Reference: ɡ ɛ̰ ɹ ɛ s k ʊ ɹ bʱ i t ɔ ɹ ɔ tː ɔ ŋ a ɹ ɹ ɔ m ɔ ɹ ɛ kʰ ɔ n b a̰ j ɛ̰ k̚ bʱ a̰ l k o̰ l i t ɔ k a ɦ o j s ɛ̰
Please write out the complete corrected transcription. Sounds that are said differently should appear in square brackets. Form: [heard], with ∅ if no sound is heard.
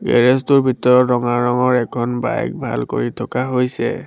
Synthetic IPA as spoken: ɡ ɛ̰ ɹ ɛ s [t] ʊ ɹ bʱ i t ɔ ɹ ɔ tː ɔ ŋ a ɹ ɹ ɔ [ŋ] ɔ ɹ ɛ kʰ ɔ n b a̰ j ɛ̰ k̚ bʱ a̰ l k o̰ [ɹ] i [tʰ] ɔ k a ɦ o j s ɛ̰

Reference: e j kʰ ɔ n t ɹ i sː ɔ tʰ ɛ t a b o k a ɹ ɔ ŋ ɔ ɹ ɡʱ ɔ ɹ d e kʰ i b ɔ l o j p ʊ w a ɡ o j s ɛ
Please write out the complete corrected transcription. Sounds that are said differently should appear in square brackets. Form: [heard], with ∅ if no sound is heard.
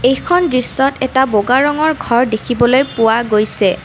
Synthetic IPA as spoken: e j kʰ ɔ n [d] ɹ i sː ɔ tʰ ɛ t a b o [ɡ] a ɹ ɔ ŋ ɔ ɹ ɡʱ ɔ ɹ d e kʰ i b ɔ l o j p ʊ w a ɡ o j s ɛ

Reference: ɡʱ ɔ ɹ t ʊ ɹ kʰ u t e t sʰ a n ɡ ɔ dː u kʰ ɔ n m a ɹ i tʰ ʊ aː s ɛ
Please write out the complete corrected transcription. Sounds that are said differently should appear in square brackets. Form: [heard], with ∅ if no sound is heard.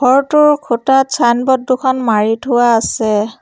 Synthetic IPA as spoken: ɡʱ ɔ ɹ t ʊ ɹ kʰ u t [a] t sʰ a n [b] ɔ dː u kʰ ɔ n m a ɹ i tʰ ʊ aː s ɛ

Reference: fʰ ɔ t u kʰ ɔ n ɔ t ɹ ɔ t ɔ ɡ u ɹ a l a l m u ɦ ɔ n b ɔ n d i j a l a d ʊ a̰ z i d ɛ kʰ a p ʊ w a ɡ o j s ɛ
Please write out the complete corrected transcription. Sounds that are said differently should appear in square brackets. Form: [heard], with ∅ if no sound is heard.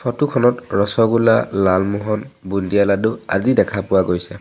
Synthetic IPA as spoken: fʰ ɔ t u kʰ ɔ n ɔ t ɹ ɔ [s] ɔ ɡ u [l] a l a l m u ɦ ɔ n b [u] n d i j a l a d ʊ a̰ z i d ɛ kʰ a p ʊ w a ɡ o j s ɛ

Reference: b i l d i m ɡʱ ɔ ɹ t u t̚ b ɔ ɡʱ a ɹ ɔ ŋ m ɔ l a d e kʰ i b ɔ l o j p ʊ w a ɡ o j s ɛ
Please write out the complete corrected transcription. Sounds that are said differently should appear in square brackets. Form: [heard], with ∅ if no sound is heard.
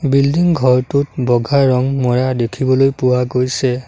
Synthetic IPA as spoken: b i l d i [ŋ] ɡʱ ɔ ɹ t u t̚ b ɔ ɡʱ a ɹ ɔ ŋ m ɔ [ɹ] a d e kʰ i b ɔ l o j p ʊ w a ɡ o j s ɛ

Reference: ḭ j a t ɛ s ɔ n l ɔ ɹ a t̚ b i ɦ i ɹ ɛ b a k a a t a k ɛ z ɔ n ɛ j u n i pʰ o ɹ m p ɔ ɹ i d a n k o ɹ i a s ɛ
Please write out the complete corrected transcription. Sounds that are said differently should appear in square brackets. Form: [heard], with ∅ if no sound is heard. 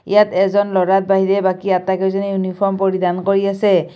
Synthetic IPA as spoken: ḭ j a t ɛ [z] ɔ n l ɔ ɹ a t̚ b [a] ɦ i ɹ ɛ b a k [i] a t a k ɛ z ɔ n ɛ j u n i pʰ [ɔ] ɹ m p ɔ ɹ i d a n k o ɹ i a s ɛ

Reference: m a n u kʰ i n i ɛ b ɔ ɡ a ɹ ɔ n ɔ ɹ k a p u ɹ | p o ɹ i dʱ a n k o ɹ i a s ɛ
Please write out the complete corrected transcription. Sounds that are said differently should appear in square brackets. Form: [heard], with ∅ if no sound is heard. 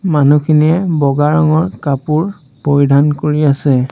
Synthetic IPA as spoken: m a n u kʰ i n i ɛ b ɔ ɡ a ɹ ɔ [ŋ] ɔ ɹ k a p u ɹ | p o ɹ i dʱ a n k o ɹ i a s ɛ

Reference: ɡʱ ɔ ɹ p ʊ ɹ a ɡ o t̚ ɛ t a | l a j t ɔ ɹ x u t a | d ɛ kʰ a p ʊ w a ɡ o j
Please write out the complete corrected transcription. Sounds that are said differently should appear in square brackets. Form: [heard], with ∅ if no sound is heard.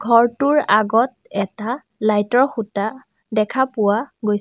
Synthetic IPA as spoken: ɡʱ ɔ ɹ [t] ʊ ɹ a ɡ [ɔ] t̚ ɛ t a | l a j t ɔ ɹ x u t a | d ɛ kʰ a p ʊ w a ɡ o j

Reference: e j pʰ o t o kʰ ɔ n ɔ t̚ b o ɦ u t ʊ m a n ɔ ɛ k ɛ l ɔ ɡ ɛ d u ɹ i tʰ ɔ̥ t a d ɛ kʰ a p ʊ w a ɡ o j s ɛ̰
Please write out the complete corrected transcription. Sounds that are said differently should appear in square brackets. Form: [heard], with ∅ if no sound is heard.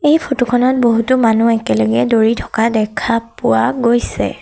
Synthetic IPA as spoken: e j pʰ o t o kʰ ɔ n ɔ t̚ b o ɦ u t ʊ m a n [u] ɛ k ɛ l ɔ ɡ ɛ d [o] ɹ i tʰ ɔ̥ [k] a d ɛ kʰ a p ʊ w a ɡ o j s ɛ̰

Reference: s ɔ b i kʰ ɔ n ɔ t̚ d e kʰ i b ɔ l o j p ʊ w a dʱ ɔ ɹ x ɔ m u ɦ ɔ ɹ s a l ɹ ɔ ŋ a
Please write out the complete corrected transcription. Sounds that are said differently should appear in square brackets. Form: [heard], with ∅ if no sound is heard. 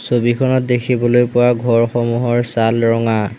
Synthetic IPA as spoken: s [o] b i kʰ ɔ n ɔ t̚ d e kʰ i b ɔ l o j p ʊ w a [ɡʱ] ɔ ɹ x ɔ m u ɦ ɔ ɹ s a l ɹ ɔ ŋ a

